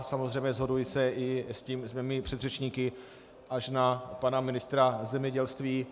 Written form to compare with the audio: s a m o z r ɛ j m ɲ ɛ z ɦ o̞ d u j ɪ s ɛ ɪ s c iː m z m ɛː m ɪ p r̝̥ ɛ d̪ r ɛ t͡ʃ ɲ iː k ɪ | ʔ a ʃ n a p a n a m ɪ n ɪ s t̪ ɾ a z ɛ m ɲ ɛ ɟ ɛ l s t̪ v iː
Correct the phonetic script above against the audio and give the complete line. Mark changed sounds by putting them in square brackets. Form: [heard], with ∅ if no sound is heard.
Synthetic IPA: s a m o z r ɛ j m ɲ ɛ z ɦ o̞ d u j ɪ s ɛ ɪ s c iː m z m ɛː m ɪ p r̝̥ ɛ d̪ r ɛ t͡ʃ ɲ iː k ɪ | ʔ a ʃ n a p a n a m ɪ n ɪ s t̪ ɾ a z ɛ m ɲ ɛ ɟ ɛ l s t̪ v iː